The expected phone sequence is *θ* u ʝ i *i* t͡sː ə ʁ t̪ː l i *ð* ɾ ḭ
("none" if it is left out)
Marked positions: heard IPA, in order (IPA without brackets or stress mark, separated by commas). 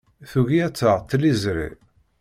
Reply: θ, æ, z